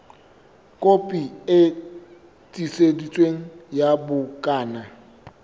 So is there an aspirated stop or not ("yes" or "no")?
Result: no